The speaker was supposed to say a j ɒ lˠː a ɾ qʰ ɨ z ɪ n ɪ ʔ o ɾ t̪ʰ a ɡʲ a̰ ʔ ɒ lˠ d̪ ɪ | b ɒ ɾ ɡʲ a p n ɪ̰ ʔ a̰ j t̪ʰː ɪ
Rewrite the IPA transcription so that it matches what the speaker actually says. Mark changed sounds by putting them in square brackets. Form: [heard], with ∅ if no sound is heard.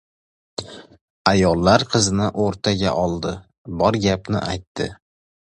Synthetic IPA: a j ɒ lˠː a ɾ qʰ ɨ z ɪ n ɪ ʔ o ɾ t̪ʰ a ɡʲ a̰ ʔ ɒ lˠ d̪ ɪ | b ɒ ɾ ɡʲ a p n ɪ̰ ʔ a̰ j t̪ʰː ɪ